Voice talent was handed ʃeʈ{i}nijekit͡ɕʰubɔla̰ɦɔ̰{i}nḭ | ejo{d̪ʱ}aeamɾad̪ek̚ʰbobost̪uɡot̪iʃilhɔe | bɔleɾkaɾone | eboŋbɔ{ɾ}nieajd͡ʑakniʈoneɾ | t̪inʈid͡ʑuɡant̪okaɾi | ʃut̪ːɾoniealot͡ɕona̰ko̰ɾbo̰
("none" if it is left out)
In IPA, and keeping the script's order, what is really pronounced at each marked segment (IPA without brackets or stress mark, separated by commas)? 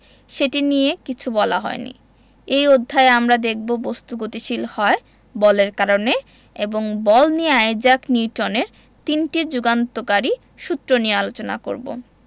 i, e, d̪ʱː, l